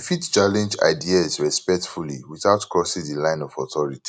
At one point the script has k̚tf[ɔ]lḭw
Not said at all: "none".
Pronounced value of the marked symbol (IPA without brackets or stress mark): u